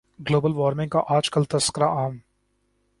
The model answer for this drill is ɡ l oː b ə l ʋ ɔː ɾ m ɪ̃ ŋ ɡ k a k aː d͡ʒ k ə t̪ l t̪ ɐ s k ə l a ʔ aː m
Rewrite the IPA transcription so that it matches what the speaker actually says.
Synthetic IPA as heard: ɡ l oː b ə l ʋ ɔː ɾ m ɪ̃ ŋ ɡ k a ʔ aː d͡ʒ k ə l t̪ ɐ s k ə ɾ a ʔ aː m